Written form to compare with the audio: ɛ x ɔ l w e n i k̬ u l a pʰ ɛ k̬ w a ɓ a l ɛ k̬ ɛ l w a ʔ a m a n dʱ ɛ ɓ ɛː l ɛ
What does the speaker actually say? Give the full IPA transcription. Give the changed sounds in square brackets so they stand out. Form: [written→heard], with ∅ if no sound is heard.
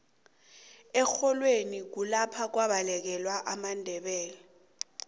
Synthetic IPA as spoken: ɛ x ɔ l w e n i k̬ u l a pʰ [ɛ→a] k̬ w a ɓ a l ɛ k̬ ɛ l w a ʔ a m a n dʱ ɛ ɓ ɛː l ɛ